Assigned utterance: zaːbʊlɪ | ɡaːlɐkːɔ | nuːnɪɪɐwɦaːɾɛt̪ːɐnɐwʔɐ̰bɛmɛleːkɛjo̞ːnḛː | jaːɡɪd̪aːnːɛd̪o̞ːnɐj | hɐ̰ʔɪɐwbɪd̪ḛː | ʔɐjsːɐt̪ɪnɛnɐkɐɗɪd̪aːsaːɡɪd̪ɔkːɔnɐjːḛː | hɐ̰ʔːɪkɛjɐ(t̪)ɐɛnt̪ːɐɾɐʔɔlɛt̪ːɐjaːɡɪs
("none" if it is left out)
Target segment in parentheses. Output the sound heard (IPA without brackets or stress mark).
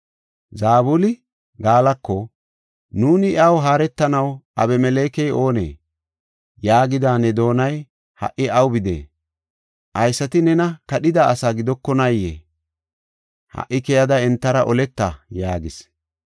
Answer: d̪